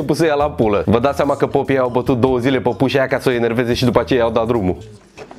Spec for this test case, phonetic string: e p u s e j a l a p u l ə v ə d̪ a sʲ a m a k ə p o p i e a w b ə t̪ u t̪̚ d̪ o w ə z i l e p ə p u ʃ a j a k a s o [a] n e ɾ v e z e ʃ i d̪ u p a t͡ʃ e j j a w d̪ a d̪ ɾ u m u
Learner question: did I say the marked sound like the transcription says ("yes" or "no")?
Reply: no